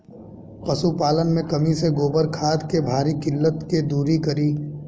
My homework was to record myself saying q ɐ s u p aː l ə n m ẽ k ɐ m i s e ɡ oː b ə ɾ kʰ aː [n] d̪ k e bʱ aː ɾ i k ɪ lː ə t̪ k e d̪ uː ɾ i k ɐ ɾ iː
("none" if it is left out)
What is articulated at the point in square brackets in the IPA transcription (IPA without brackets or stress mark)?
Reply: none